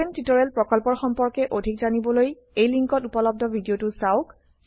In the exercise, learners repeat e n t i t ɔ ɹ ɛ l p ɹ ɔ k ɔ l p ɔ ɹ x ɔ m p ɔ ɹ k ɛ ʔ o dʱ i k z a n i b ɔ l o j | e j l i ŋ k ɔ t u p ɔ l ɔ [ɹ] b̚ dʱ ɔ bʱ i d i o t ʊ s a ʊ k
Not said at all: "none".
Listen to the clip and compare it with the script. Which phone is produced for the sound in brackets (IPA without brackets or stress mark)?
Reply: none